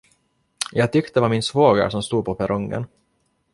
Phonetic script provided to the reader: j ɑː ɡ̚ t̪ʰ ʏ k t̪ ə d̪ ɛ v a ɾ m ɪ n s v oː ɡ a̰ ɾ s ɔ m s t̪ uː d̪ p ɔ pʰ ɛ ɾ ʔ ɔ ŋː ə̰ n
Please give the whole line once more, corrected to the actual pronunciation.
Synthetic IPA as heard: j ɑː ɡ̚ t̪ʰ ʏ k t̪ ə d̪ ɛ v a ɾ m ɪ n s v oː ɡ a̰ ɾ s ɔ m s t̪ uː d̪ p ɔ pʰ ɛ ɾ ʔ ɔ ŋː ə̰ n